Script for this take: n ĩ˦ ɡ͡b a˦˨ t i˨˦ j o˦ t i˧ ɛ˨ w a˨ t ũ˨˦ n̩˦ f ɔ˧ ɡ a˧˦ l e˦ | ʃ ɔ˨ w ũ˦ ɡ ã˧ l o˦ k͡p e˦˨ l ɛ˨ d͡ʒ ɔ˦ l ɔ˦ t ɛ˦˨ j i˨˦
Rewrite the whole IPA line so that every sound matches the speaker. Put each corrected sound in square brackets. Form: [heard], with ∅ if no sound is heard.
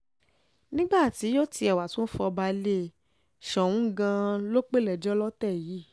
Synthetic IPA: n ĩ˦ ɡ͡b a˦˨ t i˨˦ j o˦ t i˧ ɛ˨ w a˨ t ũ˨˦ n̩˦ f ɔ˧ [b] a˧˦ l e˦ | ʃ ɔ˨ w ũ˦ ɡ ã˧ l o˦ k͡p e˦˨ l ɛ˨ d͡ʒ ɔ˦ l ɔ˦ t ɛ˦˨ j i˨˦